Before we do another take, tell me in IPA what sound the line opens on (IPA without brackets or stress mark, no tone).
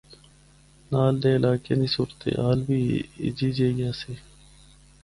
n